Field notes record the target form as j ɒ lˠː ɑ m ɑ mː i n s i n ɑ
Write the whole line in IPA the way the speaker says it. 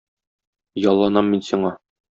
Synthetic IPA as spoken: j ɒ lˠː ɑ n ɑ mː i n s i ɴ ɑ